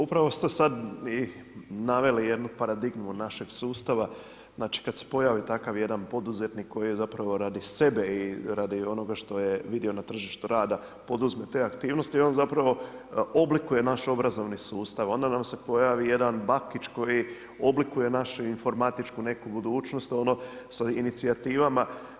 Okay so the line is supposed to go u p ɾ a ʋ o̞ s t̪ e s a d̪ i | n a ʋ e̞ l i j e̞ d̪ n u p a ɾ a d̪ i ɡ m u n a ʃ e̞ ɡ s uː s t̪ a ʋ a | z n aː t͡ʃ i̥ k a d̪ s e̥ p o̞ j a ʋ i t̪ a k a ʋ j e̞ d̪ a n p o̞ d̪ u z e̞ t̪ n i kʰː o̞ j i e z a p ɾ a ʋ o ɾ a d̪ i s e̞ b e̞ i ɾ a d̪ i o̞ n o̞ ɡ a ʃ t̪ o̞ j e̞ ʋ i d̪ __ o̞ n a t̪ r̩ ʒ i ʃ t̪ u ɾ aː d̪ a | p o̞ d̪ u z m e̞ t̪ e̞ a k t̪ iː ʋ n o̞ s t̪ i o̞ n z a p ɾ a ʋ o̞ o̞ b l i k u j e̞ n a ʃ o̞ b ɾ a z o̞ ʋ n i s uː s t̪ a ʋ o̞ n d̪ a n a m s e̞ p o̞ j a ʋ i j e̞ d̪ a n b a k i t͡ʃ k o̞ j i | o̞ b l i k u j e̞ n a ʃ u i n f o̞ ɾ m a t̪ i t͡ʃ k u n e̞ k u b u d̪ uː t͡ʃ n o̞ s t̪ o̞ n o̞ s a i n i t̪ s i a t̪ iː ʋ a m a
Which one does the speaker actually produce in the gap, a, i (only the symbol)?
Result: i